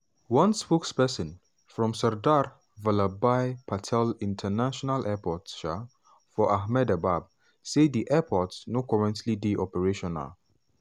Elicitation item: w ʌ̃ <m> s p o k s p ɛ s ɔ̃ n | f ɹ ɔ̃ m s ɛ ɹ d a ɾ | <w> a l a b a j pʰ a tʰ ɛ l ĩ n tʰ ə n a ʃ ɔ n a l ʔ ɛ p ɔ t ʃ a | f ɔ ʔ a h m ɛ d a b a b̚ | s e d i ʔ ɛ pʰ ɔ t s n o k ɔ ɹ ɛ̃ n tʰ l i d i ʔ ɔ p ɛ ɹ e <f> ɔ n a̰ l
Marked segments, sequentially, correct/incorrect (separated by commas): incorrect, incorrect, incorrect